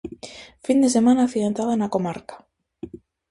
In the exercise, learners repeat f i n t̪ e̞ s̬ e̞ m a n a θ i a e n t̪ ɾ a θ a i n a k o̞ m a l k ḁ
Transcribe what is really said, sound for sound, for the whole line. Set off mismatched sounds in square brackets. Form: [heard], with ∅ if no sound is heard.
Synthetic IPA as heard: f i n [d̪] e̞ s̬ e̞ m a n a θ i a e n t̪ ɾ a [ð] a [e] n a k o̞ m a [ɾ] k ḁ